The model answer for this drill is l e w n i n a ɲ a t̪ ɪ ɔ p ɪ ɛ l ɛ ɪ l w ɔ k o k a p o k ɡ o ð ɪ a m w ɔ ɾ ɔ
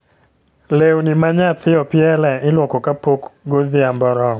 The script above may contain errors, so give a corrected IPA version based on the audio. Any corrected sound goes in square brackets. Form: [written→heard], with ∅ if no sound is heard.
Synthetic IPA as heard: l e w n i [n→m] a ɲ a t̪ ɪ ɔ p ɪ ɛ l ɛ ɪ l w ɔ k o k a p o k ɡ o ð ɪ a m [w→b] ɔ ɾ ɔ